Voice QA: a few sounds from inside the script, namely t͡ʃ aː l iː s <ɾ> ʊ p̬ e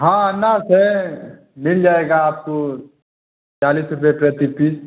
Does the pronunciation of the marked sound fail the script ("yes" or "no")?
no